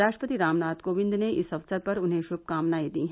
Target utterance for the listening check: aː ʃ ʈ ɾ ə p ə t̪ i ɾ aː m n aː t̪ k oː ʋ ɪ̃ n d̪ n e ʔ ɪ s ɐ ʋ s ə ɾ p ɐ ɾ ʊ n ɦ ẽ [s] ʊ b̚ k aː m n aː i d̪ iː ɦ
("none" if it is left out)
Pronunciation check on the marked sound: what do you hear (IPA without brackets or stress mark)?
ʃ